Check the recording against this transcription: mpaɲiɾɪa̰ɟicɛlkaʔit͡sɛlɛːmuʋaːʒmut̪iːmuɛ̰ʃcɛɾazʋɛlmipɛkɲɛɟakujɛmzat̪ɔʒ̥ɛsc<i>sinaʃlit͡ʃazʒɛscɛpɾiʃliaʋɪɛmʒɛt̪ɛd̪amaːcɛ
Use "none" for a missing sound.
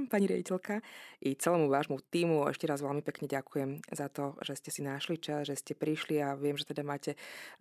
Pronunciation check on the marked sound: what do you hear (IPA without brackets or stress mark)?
ɛ